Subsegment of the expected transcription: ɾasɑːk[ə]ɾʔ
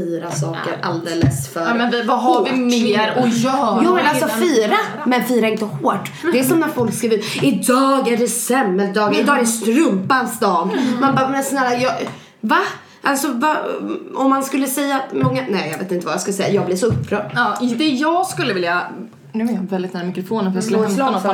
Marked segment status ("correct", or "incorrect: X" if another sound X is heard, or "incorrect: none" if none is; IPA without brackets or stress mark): correct